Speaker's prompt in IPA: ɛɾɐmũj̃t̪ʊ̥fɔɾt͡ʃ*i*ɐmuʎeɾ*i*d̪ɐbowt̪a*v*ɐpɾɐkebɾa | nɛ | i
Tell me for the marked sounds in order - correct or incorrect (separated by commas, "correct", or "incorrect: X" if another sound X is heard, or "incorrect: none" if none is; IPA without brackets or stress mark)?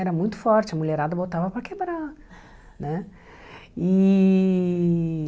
incorrect: ɪ, incorrect: a, correct